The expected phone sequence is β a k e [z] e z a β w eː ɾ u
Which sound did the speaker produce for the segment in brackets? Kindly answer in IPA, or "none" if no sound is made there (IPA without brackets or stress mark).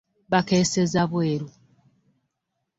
s